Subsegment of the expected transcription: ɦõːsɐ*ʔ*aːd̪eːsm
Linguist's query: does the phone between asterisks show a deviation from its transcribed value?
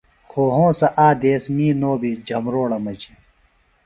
no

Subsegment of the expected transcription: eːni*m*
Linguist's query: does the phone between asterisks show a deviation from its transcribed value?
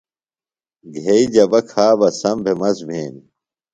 yes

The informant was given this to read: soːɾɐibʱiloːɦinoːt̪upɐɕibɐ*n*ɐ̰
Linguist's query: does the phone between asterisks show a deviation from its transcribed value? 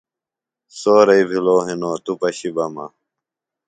yes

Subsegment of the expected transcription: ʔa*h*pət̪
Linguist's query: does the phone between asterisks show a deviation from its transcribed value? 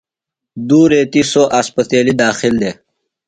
yes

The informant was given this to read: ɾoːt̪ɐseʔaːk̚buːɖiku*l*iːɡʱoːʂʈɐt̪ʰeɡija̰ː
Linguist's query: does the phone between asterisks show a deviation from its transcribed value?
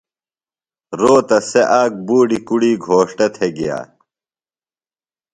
yes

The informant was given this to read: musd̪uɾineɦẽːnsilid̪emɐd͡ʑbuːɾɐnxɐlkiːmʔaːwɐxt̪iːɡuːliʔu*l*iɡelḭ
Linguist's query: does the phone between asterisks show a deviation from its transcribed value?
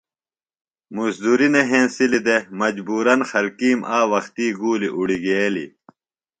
yes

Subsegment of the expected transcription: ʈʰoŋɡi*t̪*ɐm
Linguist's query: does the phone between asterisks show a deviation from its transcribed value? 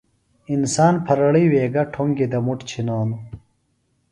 yes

